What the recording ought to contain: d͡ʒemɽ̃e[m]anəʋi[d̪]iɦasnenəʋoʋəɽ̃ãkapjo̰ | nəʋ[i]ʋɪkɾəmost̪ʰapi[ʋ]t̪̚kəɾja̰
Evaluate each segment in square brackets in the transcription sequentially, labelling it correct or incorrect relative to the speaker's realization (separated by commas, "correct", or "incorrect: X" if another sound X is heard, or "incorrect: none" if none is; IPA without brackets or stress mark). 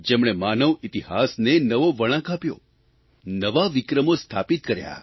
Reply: correct, incorrect: t̪, incorrect: a, incorrect: none